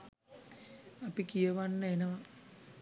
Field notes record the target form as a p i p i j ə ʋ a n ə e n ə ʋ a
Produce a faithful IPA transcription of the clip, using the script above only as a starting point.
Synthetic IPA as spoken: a p i k i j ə ʋ a nː ə e n ə ʋ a